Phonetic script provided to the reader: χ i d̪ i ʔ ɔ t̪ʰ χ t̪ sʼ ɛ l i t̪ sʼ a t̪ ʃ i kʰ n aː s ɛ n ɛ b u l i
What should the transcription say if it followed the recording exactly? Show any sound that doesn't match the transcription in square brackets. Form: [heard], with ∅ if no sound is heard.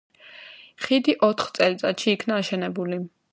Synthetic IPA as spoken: χ i d̪ i ʔ ɔ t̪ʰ χ t̪ sʼ ɛ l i t̪ sʼ a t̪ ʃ [iː] kʰ n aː [ʃ] ɛ n ɛ b u l i